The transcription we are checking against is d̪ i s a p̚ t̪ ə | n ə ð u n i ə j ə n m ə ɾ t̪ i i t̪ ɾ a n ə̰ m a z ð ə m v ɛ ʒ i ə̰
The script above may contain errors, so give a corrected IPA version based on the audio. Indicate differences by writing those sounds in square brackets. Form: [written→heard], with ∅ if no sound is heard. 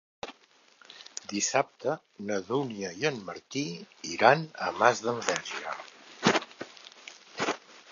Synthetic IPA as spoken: d̪ i s a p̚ t̪ ə | n ə ð u n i ə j ə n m ə ɾ t̪ i i [t̪→∅] ɾ a n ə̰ m a z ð ə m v ɛ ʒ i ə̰

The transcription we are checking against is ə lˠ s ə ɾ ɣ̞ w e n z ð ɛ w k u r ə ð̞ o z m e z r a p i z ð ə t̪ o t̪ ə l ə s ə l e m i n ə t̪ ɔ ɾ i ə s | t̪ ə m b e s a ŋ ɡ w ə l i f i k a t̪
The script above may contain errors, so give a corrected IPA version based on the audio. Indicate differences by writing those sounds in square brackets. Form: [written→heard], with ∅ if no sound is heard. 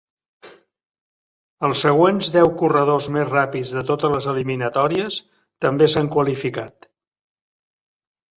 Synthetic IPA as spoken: ə lˠ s ə [ɾ→∅] ɣ̞ w e n z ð ɛ w k u r ə ð̞ o z m e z r a p i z ð ə t̪ o t̪ ə l ə [s→z] ə l [e→i] m i n ə t̪ ɔ ɾ i ə s | t̪ ə m b e s a ŋ [ɡ→k] w ə l i f i k a t̪

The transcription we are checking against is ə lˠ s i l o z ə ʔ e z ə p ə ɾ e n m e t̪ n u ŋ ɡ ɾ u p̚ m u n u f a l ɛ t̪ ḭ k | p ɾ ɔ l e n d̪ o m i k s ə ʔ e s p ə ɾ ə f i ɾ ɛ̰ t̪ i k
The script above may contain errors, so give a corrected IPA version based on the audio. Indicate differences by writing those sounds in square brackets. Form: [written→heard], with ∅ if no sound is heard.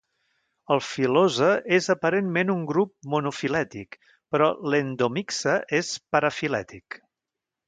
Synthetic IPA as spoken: ə lˠ [s→f] i l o z ə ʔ e z ə p ə ɾ e n m e [t̪→∅] n u ŋ ɡ ɾ u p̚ m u n u f [a→i] l ɛ t̪ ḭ k | p ɾ ɔ l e n d̪ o m i k s ə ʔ e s p ə ɾ ə f i [ɾ→l] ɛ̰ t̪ i k

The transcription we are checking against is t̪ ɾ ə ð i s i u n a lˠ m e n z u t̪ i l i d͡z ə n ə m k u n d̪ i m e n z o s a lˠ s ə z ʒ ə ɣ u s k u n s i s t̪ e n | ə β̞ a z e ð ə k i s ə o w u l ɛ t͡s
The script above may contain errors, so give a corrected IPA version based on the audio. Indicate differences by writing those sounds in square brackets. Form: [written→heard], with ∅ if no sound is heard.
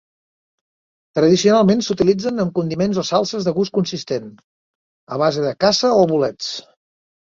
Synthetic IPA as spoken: t̪ ɾ ə ð i s i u n a lˠ m e n [z→s] u t̪ i l i d͡z ə n ə m k u n d̪ i m e n z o s a lˠ s ə z [ʒ→ð] ə ɣ u s k u n s i s t̪ e n | ə β̞ a z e ð ə k [i→a] s ə o [w→β] u l ɛ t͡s

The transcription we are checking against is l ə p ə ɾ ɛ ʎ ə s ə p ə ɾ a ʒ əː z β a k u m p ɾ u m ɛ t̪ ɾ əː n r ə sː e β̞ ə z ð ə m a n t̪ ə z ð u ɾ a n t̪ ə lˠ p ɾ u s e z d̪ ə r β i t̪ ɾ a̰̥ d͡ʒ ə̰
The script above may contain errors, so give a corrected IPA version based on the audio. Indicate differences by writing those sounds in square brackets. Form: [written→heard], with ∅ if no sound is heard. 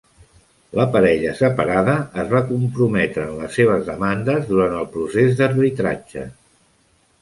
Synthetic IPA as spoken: l ə p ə ɾ ɛ ʎ ə s ə p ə ɾ a [ʒ→ð] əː z β a k u m p ɾ u m ɛ t̪ ɾ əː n [r→l] ə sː e β̞ ə z ð ə m a n [t̪→d̪] ə z ð u ɾ a n t̪ ə lˠ p ɾ u s e z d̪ ə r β i t̪ ɾ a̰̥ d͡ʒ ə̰

